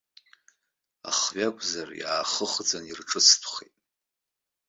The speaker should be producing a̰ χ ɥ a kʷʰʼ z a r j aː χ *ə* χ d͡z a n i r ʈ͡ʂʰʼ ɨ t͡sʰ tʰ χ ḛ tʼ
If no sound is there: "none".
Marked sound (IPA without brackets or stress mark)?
ə